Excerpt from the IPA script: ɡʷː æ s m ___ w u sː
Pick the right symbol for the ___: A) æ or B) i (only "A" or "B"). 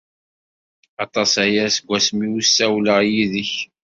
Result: B